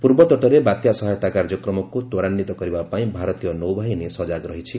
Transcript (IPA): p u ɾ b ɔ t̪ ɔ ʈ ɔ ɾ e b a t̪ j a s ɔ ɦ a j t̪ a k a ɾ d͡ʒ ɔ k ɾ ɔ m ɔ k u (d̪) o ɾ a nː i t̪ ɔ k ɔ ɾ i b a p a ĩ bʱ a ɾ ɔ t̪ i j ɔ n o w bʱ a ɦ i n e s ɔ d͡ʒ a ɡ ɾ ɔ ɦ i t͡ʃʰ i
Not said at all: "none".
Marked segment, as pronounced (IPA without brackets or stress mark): t̪